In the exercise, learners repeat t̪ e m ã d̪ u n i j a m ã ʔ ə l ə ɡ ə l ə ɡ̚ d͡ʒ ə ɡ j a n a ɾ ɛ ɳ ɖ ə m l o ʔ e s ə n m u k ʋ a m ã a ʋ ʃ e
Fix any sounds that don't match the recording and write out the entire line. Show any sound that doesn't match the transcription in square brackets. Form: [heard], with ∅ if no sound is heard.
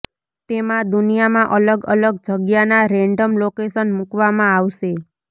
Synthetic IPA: t̪ e m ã d̪ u n i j a m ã ʔ ə l ə ɡ ə l ə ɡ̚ d͡ʒ ə ɡ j a n a ɾ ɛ ɳ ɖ ə m l o [k] e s ə n m u k ʋ a m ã a ʋ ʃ e

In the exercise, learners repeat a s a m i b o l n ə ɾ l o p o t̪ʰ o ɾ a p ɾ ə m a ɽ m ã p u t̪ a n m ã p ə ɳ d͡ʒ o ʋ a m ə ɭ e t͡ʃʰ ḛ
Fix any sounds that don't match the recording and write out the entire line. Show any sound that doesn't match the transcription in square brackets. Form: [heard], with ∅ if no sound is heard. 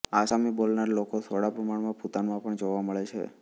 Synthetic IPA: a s a m i b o l n [a] ɾ l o [k] o t̪ʰ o [ɽ] a p ɾ ə m a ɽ m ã p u t̪ a n m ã p ə ɳ d͡ʒ o ʋ a m ə ɭ e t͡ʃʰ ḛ

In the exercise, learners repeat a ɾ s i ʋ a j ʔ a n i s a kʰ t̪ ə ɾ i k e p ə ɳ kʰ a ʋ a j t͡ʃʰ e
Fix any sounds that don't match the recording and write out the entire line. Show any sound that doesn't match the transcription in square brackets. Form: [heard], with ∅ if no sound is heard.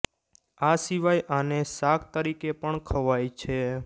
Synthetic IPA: a [∅] s i ʋ a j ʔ a n [e] s a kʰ t̪ ə ɾ i k e p ə ɳ kʰ [ə] ʋ a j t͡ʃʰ e

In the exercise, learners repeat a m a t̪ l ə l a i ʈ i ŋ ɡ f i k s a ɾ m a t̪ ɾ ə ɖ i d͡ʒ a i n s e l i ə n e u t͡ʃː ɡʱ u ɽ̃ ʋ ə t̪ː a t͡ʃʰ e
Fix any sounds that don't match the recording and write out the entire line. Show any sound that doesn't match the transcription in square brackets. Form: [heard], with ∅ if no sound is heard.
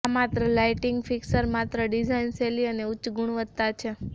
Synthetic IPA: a m a t̪ [ɾ] ə l a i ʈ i ŋ ɡ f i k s [ə] ɾ m a t̪ ɾ ə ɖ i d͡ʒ a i n s e l i ə n e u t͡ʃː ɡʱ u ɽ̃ ʋ ə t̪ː a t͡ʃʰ e

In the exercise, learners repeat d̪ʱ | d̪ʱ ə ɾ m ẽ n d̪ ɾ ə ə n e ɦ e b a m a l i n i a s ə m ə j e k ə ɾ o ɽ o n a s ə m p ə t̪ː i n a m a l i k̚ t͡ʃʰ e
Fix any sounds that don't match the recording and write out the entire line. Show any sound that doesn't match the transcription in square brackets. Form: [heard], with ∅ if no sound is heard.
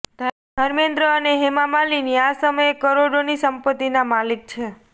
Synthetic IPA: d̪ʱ | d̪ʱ ə ɾ m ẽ n d̪ ɾ ə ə n e ɦ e [m] a m a l i n i a s ə m ə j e k ə ɾ o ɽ o n [i] s ə m p ə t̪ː i n a m a l i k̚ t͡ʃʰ e

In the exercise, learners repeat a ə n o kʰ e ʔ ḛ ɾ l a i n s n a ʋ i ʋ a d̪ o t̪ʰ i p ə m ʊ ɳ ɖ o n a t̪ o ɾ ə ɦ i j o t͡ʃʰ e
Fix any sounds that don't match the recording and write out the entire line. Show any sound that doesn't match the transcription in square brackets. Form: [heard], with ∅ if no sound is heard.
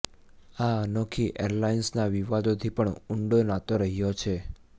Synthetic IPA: a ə n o kʰ [i] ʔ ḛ ɾ l a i n s n a ʋ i ʋ a d̪ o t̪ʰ i p ə [ɳ] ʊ ɳ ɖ o n a t̪ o ɾ ə ɦ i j o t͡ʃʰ e

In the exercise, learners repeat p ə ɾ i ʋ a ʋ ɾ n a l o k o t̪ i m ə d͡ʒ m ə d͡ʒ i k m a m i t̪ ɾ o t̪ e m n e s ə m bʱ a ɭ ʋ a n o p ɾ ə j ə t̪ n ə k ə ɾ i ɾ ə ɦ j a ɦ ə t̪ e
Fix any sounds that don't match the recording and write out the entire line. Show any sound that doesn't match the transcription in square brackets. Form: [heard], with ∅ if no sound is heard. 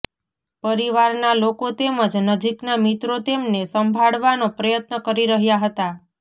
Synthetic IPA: p ə ɾ i ʋ a [∅] ɾ n a l o k o t̪ [e] m ə d͡ʒ [n] ə d͡ʒ i k [n] a m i t̪ ɾ o t̪ e m n e s ə m bʱ a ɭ ʋ a n o p ɾ ə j ə t̪ n ə k ə ɾ i ɾ ə ɦ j a ɦ ə t̪ [a]

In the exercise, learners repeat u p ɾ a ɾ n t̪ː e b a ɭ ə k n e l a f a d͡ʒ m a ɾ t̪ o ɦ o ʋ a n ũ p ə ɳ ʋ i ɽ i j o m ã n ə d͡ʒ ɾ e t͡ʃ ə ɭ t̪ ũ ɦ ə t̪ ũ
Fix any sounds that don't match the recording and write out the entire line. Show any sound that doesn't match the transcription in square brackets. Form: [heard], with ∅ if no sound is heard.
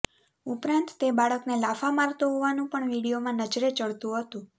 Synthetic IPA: u p ɾ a [∅] n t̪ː e b a ɭ ə k n e l a f a [∅] m a ɾ t̪ o ɦ o ʋ a n ũ p ə ɳ ʋ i ɽ i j o m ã n ə d͡ʒ ɾ e t͡ʃ ə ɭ t̪ ũ ɦ ə t̪ ũ

